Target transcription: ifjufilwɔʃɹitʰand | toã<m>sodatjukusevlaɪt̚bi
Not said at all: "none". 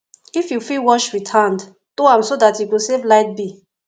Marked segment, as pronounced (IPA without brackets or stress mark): m